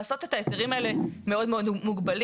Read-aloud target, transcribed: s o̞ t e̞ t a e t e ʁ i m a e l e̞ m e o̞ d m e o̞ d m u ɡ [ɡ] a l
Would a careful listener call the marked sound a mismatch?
yes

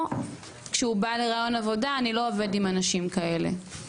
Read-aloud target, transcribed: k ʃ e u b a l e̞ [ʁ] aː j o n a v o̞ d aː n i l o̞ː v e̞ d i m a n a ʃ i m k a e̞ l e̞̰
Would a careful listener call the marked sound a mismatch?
no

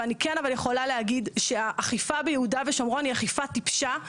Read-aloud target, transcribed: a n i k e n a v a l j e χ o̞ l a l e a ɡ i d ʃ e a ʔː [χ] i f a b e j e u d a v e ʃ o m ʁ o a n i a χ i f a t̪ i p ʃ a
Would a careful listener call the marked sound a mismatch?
no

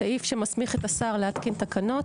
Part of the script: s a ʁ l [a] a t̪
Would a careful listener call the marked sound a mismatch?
yes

